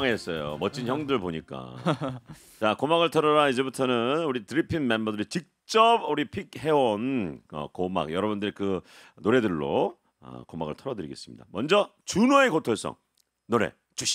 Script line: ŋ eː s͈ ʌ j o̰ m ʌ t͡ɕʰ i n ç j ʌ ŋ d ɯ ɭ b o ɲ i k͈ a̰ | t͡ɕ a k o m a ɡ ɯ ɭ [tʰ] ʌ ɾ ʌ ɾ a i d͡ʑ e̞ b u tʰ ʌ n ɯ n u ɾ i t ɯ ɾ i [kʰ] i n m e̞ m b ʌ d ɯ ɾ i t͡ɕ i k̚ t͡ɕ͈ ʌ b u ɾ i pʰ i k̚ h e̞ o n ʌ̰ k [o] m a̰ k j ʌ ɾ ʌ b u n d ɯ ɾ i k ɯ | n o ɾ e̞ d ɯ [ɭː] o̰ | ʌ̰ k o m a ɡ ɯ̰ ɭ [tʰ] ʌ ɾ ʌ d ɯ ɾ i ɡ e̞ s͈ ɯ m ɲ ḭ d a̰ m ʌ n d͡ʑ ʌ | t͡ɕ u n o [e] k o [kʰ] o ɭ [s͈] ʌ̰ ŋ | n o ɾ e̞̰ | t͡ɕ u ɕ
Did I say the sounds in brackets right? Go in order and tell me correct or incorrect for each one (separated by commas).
correct, incorrect, correct, correct, correct, correct, incorrect, correct